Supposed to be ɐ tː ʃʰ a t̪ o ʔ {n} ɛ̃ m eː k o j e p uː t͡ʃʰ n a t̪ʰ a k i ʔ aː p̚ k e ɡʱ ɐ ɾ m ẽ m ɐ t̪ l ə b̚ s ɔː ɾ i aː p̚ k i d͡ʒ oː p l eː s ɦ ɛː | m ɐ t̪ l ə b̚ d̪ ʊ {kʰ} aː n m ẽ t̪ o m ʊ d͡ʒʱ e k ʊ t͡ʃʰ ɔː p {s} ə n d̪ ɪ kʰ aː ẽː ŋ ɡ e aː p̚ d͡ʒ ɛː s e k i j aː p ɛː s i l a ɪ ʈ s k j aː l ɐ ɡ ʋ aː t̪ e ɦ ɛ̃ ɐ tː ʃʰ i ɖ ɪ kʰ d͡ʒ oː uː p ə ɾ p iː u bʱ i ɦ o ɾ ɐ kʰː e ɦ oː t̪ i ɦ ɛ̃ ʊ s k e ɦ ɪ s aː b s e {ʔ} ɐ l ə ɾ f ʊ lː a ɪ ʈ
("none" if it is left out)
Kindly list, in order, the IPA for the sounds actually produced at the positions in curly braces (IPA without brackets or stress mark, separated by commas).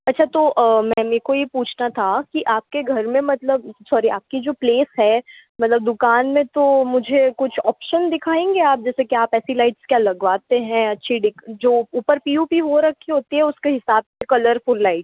m, k, ʃ, k